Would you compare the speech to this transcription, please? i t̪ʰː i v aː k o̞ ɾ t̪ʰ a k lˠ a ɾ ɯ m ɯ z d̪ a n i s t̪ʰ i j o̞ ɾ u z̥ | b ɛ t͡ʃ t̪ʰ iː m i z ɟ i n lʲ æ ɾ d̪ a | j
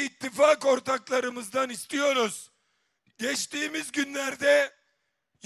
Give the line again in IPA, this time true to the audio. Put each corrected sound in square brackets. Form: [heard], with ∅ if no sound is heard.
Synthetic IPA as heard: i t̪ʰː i [f] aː k o̞ ɾ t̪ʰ a k lˠ a ɾ ɯ m ɯ z d̪ a n i s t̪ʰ i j o̞ ɾ u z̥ | [ɟ] ɛ t͡ʃ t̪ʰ iː m i z ɟ [y] n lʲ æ ɾ d̪ [ɛ] | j